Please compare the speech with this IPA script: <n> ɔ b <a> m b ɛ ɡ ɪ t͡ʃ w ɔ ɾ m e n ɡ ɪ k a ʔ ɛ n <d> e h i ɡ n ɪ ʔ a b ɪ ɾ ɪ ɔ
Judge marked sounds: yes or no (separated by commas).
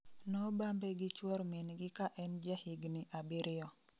yes, yes, no